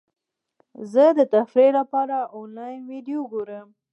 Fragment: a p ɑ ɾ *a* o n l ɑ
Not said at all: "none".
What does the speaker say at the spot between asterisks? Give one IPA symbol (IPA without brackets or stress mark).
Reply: a